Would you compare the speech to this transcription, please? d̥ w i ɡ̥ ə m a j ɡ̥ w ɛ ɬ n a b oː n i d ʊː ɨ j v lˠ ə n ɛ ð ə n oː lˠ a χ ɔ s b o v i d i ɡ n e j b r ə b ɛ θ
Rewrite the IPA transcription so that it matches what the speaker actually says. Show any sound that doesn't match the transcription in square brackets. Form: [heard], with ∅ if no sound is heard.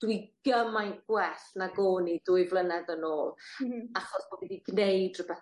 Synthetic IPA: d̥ w i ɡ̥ ə m a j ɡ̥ w ɛ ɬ n a [ɡ] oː n i d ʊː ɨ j v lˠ ə n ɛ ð ə n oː lˠ a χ ɔ s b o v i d i ɡ n e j [d] r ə b ɛ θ

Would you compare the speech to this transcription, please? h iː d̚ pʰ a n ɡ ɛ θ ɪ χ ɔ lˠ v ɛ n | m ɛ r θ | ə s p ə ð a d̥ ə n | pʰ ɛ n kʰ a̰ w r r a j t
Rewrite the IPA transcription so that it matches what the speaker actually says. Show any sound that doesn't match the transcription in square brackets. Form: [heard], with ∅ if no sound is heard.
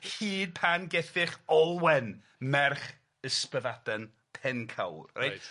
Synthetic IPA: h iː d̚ pʰ a n ɡ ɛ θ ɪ χ ɔ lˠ [w] ɛ n | m ɛ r [χ] | ə s p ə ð a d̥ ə n | pʰ ɛ n kʰ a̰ w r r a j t

